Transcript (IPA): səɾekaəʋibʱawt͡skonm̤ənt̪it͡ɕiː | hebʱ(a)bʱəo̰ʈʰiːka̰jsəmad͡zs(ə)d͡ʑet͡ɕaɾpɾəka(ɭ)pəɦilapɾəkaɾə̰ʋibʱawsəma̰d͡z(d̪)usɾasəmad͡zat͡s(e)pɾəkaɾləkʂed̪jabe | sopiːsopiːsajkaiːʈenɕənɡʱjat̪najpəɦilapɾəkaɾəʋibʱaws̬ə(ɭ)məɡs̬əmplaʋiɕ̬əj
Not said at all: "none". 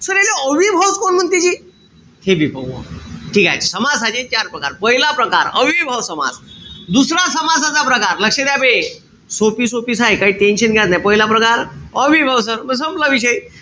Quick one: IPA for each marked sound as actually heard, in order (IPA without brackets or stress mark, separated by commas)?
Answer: i, a, ɾ, d̪, a, ɾ